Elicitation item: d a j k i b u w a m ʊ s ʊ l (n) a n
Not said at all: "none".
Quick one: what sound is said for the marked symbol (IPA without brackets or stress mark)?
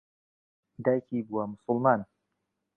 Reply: m